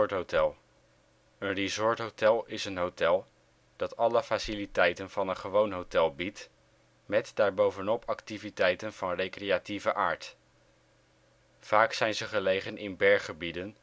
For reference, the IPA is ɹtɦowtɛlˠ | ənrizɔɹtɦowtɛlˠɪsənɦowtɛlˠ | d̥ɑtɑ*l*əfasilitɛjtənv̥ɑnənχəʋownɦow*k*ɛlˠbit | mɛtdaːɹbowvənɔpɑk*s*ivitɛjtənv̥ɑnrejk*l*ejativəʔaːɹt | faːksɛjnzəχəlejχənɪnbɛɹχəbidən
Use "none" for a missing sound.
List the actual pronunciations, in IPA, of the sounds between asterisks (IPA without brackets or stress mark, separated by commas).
l, t, t, r